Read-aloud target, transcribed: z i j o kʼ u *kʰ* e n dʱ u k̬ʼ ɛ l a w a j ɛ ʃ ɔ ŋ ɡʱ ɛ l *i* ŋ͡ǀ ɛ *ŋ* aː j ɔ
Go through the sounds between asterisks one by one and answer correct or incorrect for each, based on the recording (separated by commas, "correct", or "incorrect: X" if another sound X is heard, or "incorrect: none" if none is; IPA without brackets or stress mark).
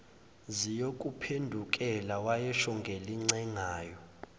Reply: incorrect: pʰ, correct, correct